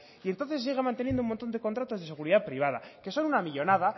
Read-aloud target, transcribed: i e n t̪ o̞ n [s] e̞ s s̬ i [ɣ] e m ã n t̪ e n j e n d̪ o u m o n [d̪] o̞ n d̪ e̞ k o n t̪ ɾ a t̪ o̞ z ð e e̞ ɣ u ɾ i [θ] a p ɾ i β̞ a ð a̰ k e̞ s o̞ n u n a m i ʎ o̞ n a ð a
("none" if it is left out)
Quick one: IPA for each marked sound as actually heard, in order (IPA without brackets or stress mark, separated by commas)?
θ, ɣ, t̪, ð